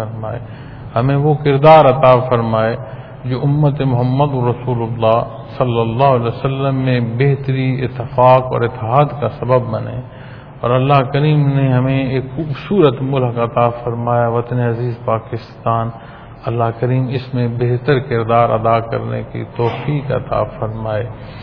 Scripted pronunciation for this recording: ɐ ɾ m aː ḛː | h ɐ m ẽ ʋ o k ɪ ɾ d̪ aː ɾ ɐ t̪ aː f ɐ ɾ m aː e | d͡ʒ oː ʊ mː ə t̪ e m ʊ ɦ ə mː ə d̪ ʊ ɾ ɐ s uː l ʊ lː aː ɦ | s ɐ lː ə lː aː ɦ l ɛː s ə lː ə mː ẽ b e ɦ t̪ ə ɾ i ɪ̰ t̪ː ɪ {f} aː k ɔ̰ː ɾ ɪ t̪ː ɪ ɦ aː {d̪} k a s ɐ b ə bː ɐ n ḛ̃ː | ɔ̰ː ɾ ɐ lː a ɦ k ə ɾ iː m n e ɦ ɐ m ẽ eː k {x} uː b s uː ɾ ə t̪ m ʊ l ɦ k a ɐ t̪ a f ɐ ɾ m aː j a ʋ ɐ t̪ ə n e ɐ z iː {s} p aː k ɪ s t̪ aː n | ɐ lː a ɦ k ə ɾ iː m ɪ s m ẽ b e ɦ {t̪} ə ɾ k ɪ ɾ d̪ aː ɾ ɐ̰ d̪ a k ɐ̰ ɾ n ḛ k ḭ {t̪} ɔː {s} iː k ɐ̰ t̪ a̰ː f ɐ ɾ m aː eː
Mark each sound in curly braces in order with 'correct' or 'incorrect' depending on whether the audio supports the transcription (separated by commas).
correct, correct, correct, incorrect, correct, correct, incorrect